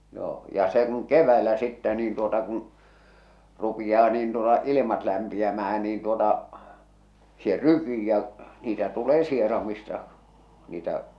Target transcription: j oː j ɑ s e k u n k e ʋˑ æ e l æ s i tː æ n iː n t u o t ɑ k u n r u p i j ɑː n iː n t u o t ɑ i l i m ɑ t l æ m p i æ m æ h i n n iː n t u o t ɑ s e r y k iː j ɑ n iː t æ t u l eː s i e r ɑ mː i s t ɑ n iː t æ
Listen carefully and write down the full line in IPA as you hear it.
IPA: j oː j ɑ s e k u n k e ʋˑ æ e l æ s i tː æ n iː n t u o t ɑ k u n r u p i j ɑː n iː n t u o t ɑ i l i m ɑ t l æ m p i æ m æ h æ n n iː n t u o t ɑ s e r y k iː j ɑ n iː t æ t u l eː s i e r ɑ m i s t ɑ n iː t æ